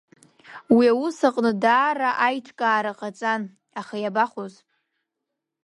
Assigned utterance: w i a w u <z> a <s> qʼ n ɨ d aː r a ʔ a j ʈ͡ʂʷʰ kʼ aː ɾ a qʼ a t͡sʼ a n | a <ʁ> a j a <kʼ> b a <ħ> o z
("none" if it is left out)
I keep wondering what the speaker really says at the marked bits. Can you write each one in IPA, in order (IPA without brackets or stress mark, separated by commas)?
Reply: s, none, χ, none, χ